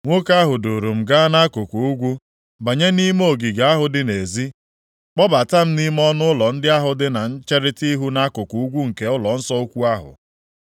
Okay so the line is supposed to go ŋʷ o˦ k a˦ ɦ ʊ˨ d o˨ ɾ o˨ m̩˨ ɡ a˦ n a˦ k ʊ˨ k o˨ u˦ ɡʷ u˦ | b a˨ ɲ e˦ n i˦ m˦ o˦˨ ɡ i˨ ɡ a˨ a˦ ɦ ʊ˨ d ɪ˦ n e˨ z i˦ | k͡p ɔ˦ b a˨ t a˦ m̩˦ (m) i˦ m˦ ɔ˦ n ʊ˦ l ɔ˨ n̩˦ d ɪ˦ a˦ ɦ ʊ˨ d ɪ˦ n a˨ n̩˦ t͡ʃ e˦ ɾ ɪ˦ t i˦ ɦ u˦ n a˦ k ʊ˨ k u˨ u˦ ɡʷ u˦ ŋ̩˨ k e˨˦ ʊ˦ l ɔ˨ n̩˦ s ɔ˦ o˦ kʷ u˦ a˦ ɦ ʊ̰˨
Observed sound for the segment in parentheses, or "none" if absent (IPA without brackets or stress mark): n